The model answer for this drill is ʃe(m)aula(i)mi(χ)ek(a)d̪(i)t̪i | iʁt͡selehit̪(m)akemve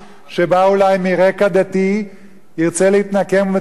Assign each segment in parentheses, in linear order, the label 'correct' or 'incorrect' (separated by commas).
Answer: incorrect, incorrect, incorrect, correct, incorrect, incorrect